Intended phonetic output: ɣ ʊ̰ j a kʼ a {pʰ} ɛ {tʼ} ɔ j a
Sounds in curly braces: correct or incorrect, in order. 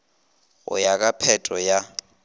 correct, correct

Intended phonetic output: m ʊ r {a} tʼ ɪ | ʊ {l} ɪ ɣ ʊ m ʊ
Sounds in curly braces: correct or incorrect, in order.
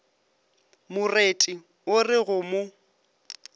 incorrect, incorrect

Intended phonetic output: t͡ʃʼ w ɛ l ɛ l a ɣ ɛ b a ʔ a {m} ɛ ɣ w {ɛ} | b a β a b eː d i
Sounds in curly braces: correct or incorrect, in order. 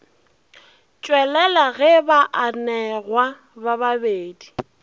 incorrect, incorrect

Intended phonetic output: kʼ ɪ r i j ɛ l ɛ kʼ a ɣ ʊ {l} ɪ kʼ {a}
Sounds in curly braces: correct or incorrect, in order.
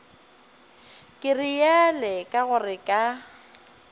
incorrect, correct

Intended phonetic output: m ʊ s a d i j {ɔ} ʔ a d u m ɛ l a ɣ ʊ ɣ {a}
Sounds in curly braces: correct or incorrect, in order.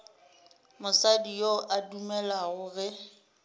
incorrect, incorrect

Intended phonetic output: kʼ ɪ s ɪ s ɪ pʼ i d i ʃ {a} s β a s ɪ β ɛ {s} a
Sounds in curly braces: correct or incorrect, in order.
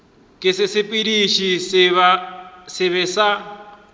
incorrect, correct

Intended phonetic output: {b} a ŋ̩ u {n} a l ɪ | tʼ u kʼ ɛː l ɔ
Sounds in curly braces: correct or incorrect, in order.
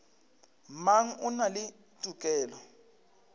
incorrect, correct

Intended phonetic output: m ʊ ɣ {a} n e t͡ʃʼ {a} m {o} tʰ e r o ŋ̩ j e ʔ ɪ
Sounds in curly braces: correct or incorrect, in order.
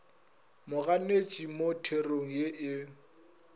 correct, incorrect, correct

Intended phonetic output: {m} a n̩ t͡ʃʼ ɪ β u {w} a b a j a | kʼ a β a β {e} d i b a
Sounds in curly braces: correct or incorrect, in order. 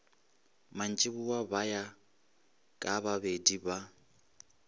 correct, correct, correct

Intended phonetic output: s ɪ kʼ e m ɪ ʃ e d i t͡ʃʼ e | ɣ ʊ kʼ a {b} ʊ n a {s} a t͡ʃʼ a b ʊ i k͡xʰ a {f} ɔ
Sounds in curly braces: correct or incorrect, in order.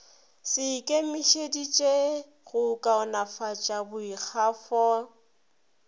incorrect, incorrect, correct

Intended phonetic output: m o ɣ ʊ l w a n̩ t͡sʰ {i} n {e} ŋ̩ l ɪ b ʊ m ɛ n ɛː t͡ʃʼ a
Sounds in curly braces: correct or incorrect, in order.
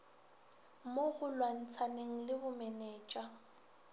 incorrect, correct

